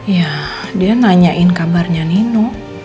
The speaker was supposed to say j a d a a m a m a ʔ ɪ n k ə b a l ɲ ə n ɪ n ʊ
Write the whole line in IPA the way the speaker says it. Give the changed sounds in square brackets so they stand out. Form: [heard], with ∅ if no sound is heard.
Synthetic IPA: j a d [i] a [n] a [ɲ] a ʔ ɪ n k [a] b a [r] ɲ [a] n [i] n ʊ